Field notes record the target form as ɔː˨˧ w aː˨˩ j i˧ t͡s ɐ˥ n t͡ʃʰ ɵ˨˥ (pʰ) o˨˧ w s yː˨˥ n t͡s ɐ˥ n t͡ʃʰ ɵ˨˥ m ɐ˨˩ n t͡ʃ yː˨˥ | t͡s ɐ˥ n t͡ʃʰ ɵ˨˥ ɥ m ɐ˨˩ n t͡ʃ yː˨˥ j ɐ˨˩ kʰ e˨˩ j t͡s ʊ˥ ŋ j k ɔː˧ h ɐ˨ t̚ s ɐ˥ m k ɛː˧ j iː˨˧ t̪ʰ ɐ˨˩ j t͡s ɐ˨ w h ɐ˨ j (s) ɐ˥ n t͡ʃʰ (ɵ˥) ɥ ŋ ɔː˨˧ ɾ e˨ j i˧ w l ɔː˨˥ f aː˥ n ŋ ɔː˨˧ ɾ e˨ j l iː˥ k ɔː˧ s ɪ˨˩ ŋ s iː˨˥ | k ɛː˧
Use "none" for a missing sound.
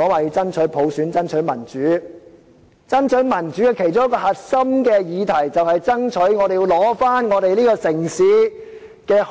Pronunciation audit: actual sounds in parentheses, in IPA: pʰ, t͡s, ɵ˨˥

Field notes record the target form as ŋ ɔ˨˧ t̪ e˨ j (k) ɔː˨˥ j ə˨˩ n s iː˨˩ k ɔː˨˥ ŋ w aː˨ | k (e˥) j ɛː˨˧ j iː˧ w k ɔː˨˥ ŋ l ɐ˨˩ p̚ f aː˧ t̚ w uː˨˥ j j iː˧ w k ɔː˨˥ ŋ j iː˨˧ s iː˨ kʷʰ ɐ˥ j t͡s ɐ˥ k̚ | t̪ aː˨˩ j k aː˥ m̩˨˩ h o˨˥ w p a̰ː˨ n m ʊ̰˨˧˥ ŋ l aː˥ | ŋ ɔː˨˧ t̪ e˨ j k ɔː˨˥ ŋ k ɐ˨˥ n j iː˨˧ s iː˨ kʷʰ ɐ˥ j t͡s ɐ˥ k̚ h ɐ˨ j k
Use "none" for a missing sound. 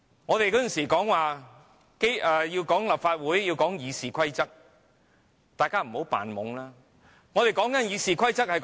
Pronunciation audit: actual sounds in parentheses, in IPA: k, e˥

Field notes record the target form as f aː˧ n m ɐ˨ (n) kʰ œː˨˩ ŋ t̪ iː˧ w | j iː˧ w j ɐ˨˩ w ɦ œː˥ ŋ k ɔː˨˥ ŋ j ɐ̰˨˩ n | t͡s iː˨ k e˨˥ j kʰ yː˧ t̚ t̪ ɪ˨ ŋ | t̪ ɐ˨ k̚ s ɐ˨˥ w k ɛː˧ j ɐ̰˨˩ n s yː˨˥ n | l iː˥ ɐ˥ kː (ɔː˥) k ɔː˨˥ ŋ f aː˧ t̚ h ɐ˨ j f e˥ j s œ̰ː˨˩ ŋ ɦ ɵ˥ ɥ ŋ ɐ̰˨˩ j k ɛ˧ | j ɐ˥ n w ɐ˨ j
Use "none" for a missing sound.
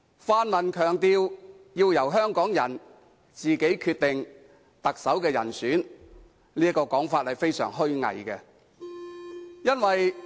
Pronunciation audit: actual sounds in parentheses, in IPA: n, ɔː˧

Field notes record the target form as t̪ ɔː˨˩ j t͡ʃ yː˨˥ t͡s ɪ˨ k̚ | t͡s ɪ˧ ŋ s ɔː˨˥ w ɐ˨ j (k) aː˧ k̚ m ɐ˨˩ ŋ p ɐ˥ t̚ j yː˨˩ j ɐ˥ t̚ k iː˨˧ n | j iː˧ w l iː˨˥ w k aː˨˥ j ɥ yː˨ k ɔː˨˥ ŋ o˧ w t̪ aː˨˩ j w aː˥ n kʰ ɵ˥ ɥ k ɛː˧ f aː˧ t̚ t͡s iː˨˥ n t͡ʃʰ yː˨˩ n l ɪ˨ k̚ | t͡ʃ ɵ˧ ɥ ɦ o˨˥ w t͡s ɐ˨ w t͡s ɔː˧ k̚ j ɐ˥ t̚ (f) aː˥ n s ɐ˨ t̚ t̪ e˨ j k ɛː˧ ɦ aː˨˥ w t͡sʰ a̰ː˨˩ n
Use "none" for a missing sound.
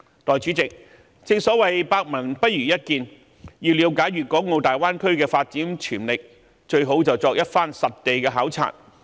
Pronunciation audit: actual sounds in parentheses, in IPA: p, f

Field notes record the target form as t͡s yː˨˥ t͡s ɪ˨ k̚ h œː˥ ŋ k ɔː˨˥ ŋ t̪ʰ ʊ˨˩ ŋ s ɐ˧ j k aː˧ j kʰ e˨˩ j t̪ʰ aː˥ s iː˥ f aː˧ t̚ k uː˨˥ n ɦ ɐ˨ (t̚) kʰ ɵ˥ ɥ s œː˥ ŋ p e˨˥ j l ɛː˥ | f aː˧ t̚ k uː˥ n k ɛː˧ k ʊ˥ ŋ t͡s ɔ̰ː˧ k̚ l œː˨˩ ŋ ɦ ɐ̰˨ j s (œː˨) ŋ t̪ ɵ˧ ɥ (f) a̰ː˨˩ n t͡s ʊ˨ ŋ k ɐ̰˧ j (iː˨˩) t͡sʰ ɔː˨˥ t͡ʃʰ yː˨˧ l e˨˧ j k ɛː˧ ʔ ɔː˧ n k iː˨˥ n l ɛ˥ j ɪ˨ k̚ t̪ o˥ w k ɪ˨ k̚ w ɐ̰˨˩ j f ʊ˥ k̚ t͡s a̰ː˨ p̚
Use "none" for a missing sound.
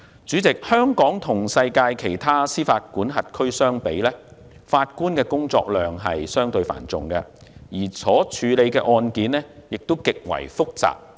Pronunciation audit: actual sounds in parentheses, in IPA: t̚, œː˥, f, iː˨˩

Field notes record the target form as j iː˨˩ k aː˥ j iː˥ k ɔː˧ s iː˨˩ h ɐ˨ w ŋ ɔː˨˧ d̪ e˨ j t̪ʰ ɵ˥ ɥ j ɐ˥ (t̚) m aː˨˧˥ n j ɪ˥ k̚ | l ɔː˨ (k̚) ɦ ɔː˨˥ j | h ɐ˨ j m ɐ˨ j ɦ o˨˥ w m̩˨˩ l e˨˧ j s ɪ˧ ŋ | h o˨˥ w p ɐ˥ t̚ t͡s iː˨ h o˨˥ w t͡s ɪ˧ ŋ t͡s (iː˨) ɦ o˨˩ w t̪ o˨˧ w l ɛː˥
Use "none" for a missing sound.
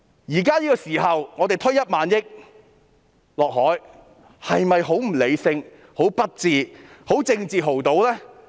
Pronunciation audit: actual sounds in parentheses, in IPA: t̚, k̚, iː˨

